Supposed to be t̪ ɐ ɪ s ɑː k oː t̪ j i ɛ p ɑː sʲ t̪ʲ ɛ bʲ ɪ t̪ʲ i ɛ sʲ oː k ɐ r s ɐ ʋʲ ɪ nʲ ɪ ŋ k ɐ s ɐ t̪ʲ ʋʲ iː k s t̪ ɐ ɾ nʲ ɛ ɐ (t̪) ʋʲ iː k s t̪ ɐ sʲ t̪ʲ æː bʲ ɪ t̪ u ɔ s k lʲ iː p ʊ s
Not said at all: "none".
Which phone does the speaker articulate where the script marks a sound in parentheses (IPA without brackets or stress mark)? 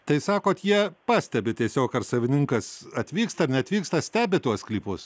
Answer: t̪